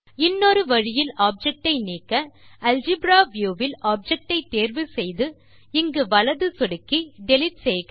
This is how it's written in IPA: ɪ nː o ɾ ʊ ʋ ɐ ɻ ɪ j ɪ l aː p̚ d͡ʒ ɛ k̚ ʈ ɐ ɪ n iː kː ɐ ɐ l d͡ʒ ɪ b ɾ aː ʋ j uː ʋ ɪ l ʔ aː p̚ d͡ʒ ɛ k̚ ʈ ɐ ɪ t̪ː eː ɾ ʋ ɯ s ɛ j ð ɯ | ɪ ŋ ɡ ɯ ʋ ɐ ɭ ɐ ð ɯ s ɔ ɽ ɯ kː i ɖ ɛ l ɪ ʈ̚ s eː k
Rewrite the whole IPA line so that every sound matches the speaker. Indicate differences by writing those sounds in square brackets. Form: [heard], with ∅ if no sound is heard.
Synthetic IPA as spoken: ɪ nː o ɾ [ɯ] ʋ ɐ ɻ ɪ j ɪ l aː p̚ d͡ʒ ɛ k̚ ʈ ɐ ɪ n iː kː ɐ ɐ l d͡ʒ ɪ b ɾ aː ʋ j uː ʋ ɪ l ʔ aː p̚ d͡ʒ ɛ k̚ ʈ ɐ ɪ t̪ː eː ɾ ʋ ɯ s ɛ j ð ɯ | ɪ ŋ ɡ ɯ ʋ ɐ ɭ ɐ ð ɯ s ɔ ɽ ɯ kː i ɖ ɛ l ɪ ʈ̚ s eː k

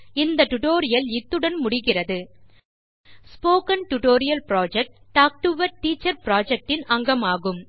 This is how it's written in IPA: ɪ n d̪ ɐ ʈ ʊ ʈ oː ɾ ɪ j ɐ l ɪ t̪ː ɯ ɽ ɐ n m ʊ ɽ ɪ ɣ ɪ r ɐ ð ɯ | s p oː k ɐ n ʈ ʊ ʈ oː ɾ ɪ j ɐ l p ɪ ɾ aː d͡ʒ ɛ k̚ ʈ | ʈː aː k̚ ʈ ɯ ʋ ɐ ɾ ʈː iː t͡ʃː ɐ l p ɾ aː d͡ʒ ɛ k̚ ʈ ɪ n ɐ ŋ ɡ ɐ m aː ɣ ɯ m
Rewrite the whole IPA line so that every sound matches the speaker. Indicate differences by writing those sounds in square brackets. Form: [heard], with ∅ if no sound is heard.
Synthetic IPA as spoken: ɪ n d̪ ɐ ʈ ʊ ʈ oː ɾ ɪ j ɐ l ɪ t̪ː ɯ ɽ ɐ n m ʊ ɽ ɪ ɣ ɪ r ɐ ð ɯ | s p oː k ɐ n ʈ ʊ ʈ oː ɾ ɪ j ɐ l p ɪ ɾ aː d͡ʒ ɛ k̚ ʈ | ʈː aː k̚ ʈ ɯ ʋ ɐ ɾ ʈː iː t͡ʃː ɐ [ɾ] p ɾ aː d͡ʒ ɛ k̚ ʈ ɪ n ɐ ŋ ɡ ɐ m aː ɣ ɯ m

